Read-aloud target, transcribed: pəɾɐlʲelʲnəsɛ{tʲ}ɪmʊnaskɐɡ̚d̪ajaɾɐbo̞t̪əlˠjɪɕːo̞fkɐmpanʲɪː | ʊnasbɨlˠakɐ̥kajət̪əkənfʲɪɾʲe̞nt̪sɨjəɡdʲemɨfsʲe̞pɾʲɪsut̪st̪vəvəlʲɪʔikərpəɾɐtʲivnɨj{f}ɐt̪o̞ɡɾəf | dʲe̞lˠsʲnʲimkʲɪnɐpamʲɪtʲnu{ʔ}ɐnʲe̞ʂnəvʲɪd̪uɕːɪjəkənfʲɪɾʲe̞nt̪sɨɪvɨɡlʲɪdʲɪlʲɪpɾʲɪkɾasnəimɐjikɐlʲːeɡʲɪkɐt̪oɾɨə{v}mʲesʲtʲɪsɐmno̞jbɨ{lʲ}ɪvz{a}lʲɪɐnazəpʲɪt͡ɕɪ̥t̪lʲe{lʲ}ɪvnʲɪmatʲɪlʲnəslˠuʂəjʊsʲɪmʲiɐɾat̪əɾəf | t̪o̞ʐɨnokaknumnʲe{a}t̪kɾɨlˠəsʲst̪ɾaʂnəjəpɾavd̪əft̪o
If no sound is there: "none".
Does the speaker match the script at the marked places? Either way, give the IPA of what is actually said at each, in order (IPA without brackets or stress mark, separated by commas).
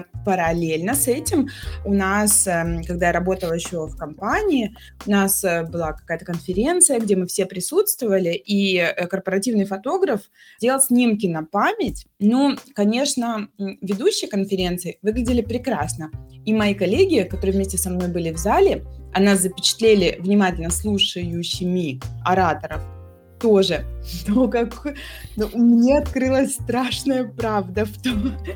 tʲ, f, k, v, lʲ, a, lʲ, ɐ